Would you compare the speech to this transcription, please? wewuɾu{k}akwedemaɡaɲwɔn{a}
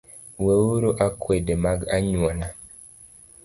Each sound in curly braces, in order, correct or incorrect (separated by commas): incorrect, correct